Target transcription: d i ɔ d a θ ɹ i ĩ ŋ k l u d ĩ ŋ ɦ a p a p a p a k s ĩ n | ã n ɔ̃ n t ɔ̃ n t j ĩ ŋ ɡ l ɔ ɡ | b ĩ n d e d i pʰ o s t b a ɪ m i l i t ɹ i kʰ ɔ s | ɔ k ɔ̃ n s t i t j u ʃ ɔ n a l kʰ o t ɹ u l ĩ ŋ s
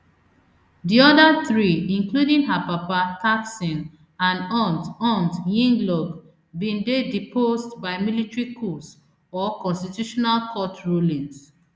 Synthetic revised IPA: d i ɔ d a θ ɹ i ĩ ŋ k l u d ĩ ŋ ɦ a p a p a t a k s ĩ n | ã n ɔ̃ n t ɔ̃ n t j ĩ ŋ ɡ l ɔ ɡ | b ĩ n d e d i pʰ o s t b a ɪ m i l i t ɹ i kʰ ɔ s | ɔ k ɔ̃ n s t i t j u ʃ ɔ n a l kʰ ɔ t ɹ u l ĩ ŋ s